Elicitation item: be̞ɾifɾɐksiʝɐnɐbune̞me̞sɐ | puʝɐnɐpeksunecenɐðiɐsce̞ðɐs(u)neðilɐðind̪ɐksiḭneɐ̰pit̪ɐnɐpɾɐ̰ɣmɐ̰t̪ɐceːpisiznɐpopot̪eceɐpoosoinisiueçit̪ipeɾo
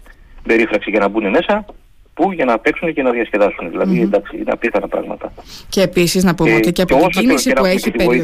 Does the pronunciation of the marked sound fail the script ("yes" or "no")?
no